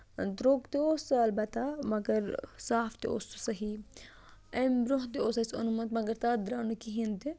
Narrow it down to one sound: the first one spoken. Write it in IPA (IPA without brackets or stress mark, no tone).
d̪